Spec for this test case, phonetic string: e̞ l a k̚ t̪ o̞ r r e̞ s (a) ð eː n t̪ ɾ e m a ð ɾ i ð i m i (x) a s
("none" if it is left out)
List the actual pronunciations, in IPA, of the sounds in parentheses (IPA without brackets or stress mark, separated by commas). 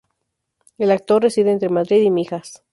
i, x